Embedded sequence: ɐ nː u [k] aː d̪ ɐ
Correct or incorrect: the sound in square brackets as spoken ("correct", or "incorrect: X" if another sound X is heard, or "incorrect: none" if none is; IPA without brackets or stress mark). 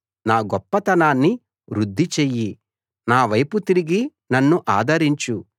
incorrect: ʔ